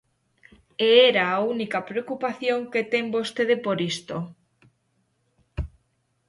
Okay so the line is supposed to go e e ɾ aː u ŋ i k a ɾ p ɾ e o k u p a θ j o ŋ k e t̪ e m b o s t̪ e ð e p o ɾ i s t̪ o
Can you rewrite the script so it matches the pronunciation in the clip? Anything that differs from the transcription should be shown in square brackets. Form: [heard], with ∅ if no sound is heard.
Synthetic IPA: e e ɾ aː u [n] i k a [∅] p ɾ e o k u p a θ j o ŋ k e t̪ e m b o s t̪ e ð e p o ɾ i s t̪ o